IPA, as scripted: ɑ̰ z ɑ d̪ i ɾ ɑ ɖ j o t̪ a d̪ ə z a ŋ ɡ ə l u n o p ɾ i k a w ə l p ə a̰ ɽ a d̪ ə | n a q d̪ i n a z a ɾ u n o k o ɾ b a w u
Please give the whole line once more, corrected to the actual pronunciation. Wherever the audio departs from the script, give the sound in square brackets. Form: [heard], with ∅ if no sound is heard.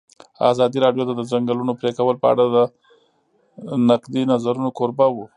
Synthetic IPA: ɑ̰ z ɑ d̪ i ɾ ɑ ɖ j o t̪ a d̪ ə z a ŋ ɡ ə l u n o p ɾ [e] k a w ə l p ə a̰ ɽ a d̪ ə | n a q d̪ i n a z a ɾ u n o k o ɾ b a w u